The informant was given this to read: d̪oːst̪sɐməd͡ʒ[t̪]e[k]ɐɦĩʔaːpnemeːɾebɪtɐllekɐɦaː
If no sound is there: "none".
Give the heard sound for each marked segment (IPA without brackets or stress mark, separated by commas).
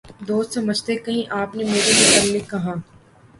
t̪, k